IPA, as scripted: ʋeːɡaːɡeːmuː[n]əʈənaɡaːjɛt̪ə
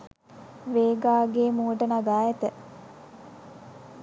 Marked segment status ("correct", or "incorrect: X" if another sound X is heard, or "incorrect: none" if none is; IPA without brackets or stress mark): incorrect: none